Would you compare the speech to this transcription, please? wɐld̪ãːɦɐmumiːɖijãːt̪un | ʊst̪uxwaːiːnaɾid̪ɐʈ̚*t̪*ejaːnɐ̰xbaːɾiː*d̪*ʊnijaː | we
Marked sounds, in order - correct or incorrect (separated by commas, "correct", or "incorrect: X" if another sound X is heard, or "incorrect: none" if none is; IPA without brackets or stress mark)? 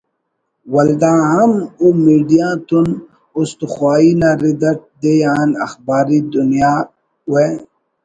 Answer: incorrect: d̪, correct